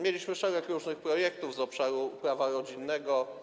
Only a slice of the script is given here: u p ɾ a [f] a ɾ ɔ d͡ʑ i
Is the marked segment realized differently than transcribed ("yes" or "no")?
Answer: yes